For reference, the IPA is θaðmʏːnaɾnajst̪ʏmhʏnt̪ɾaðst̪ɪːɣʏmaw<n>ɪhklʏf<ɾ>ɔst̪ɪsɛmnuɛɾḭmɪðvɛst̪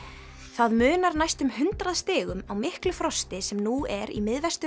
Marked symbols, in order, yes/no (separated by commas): no, yes